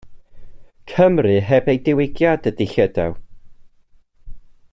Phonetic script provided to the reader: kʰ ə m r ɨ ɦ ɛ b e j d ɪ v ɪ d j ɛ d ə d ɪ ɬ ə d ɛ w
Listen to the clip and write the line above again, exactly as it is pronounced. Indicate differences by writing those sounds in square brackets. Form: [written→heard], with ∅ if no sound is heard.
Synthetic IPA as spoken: kʰ ə m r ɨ ɦ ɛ b e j d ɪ [v→w] ɪ [d→ɡ] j [ɛ→a] d ə d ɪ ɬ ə d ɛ w